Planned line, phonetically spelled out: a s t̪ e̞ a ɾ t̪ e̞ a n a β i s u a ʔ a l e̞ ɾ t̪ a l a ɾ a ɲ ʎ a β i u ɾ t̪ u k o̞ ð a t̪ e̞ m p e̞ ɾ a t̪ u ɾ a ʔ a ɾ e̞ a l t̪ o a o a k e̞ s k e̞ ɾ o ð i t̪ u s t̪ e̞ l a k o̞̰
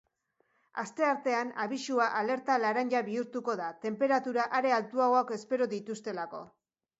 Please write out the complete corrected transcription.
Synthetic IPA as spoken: a s t̪ e̞ a ɾ t̪ e̞ a n a β i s u a ʔ a l e̞ ɾ t̪ a l a ɾ a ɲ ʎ a β i u ɾ t̪ u k o̞ ð a t̪ e̞ m p e̞ ɾ a t̪ u ɾ a ʔ a ɾ e̞ a l t̪ u a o a k e̞ s p e̞ ɾ o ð i t̪ u s t̪ e̞ l a k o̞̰

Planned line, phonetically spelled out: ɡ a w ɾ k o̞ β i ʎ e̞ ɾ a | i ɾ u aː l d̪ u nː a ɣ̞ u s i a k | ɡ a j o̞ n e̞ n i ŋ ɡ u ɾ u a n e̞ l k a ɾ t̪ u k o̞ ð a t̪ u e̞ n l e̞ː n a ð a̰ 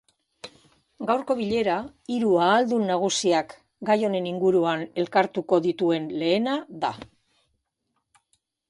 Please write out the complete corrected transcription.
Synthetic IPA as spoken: ɡ a w ɾ k o̞ β i ʎ e̞ ɾ a | i ɾ u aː l d̪ u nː a ɣ̞ u s i a k | ɡ a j o̞ n e̞ n i ŋ ɡ u ɾ u a n e̞ l k a ɾ t̪ u k o̞ ð i t̪ u e̞ n l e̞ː n a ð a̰

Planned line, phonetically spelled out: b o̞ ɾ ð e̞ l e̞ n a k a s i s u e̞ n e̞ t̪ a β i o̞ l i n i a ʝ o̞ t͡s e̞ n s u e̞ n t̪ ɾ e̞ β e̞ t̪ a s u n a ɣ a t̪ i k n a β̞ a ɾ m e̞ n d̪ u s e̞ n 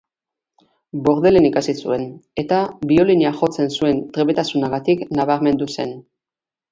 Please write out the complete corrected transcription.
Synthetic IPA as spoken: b o̞ ɾ ð e̞ l e̞ n i k a s i s u e̞ n e̞ t̪ a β i o̞ l i n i a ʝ o̞ t͡s e̞ n s u e̞ n t̪ ɾ e̞ β e̞ t̪ a s u n a ɣ a t̪ i k n a β̞ a ɾ m e̞ n d̪ u s e̞ n

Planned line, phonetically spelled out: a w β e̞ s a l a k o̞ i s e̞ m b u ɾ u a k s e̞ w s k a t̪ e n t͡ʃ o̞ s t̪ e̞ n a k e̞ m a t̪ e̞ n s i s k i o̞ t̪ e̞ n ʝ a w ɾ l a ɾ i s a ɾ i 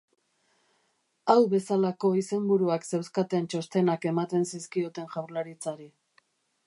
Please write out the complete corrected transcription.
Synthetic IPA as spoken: a w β e̞ s a l a k o̞ i s e̞ m b u ɾ u a k s e̞ w s k a t̪ e n t͡ʃ o̞ s t̪ e̞ n a k e̞ m a t̪ e̞ n s i s k i o̞ t̪ e̞ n ʝ a w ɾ l a ɾ i t͡s a ɾ i

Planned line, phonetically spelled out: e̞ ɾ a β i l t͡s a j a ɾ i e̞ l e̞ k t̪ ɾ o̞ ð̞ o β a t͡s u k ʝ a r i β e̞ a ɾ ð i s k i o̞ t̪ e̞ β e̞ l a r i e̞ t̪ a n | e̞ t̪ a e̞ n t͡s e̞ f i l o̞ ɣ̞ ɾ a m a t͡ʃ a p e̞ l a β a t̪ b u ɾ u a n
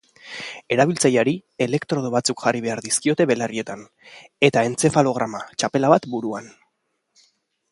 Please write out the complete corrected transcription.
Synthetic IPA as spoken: e̞ ɾ a β i l t͡s a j a ɾ i e̞ l e̞ k t̪ ɾ o̞ ð̞ o β a t͡s u k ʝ a r i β e̞ a ɾ ð i s k i o̞ t̪ e̞ β e̞ l a r i e̞ t̪ a n | e̞ t̪ a e̞ n t͡s e̞ f a l o̞ ɣ̞ ɾ a m a t͡ʃ a p e̞ l a β a t̪ b u ɾ u a n

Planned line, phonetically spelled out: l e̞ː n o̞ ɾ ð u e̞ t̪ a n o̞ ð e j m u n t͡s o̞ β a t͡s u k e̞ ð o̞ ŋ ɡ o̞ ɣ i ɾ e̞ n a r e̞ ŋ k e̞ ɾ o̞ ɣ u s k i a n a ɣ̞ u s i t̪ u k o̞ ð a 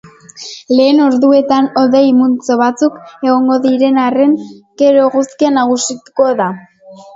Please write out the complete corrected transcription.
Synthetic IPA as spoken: l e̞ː n o̞ ɾ ð u e̞ t̪ a n o̞ ð e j m u n t͡s o̞ β a t͡s u k e̞ ɣ o̞ ŋ ɡ o̞ ð i ɾ e̞ n a r e̞ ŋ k e̞ ɾ o̞ ɣ u s k i a n a ɣ̞ u s i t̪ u k o̞ ð a

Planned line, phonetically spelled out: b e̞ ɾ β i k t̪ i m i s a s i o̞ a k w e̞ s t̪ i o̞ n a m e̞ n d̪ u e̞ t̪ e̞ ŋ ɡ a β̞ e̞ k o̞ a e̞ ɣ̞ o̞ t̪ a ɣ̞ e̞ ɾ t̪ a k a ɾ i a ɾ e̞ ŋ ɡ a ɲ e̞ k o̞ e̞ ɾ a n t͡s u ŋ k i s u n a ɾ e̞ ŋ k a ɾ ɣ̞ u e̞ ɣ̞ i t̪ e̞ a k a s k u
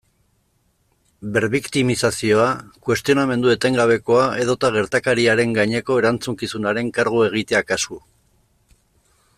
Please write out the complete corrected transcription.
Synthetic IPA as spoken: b e̞ ɾ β i k t̪ i m i s a s i o̞ a k w e̞ s t̪ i o̞ n a m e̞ n d̪ u e̞ t̪ e̞ ŋ ɡ a β̞ e̞ k o̞ a e̞ ð̞ o̞ t̪ a ɣ̞ e̞ ɾ t̪ a k a ɾ i a ɾ e̞ ŋ ɡ a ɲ e̞ k o̞ e̞ ɾ a n t͡s u ŋ k i s u n a ɾ e̞ ŋ k a ɾ ɣ̞ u e̞ ɣ̞ i t̪ e̞ a k a s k u

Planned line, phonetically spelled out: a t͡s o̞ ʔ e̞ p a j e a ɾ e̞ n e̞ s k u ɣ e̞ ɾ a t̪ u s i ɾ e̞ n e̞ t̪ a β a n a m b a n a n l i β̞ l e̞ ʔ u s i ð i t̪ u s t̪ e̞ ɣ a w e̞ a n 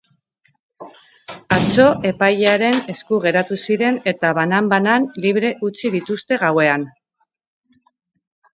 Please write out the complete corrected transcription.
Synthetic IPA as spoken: a t͡s o̞ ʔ e̞ p a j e a ɾ e̞ n e̞ s k u ɣ e̞ ɾ a t̪ u s i ɾ e̞ n e̞ t̪ a β a n a m b a n a n l i β̞ ɾ e̞ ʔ u t͡s i ð i t̪ u s t̪ e̞ ɣ a w e̞ a n

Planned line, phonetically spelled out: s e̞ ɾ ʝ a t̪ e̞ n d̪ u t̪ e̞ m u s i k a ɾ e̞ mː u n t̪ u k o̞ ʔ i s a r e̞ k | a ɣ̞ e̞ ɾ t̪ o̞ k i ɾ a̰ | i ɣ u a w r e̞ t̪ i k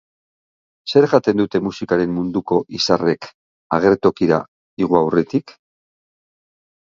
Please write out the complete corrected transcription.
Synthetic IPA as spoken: s e̞ ɾ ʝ a t̪ e̞ n d̪ u t̪ e̞ m u s i k a ɾ e̞ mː u n d̪ u k o̞ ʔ i s a r e̞ k | a ɣ̞ e̞ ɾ t̪ o̞ k i ɾ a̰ | i ɣ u a w r e̞ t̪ i k

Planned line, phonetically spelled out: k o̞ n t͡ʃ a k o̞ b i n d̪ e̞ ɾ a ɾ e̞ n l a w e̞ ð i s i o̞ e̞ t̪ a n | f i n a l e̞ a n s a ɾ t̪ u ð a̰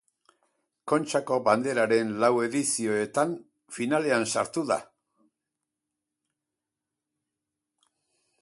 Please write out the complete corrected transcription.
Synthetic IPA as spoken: k o̞ n t͡ʃ a k o̞ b a n d̪ e̞ ɾ a ɾ e̞ n l a w e̞ ð i s i o̞ e̞ t̪ a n | f i n a l e̞ a n s a ɾ t̪ u ð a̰

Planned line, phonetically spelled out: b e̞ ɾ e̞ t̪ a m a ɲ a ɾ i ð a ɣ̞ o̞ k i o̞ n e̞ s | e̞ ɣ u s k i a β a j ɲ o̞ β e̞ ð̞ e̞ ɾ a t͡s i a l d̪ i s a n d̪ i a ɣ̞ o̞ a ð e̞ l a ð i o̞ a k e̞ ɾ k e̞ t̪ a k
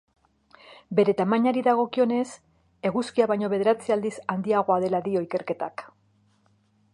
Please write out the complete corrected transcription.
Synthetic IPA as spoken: b e̞ ɾ e̞ t̪ a m a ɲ a ɾ i ð a ɣ̞ o̞ k i o̞ n e̞ s | e̞ ɣ u s k i a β a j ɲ o̞ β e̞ ð̞ e̞ ɾ a t͡s i a l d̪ i s a n d̪ i a ɣ̞ o̞ a ð e̞ l a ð i o̞ i k e̞ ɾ k e̞ t̪ a k

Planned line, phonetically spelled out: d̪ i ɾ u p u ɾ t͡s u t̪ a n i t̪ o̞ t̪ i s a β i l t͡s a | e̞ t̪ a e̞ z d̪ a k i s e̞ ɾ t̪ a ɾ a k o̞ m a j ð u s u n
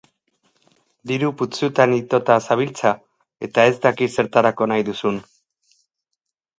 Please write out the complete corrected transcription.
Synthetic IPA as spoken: d̪ i ɾ u p u t͡s u t̪ a n i t̪ o̞ t̪ a s a β i l t͡s a | e̞ t̪ a e̞ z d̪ a k i s e̞ ɾ t̪ a ɾ a k o̞ n a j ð u s u n

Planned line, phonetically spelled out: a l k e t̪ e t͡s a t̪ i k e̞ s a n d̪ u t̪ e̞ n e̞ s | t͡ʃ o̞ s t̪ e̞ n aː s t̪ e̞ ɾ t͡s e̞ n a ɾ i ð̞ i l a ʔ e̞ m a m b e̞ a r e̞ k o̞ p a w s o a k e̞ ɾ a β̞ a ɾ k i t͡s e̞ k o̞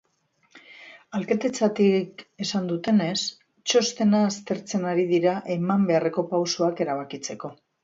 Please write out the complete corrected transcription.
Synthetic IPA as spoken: a l k e t̪ e t͡s a t̪ i k e̞ s a n d̪ u t̪ e̞ n e̞ s | t͡ʃ o̞ s t̪ e̞ n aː s t̪ e̞ ɾ t͡s e̞ n a ɾ i ð̞ i ɾ a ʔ e̞ m a m b e̞ a r e̞ k o̞ p a w s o a k e̞ ɾ a β̞ a k i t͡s e̞ k o̞

